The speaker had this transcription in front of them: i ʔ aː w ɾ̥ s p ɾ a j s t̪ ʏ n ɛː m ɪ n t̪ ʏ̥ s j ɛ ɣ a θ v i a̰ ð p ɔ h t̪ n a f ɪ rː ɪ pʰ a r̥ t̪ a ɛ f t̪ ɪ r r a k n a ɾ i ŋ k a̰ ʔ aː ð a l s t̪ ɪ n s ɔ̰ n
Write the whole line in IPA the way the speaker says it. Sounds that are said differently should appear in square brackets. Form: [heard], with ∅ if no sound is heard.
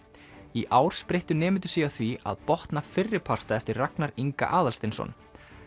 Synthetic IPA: i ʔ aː w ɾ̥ s p ɾ [e] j [h] t̪ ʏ n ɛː m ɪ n t̪ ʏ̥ s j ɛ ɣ a θ v i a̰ ð p ɔ h t̪ n a f ɪ rː ɪ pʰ a r̥ t̪ a ɛ f t̪ ɪ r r a k n a ɾ i ŋ k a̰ ʔ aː ð a l s t̪ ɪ n s ɔ̰ n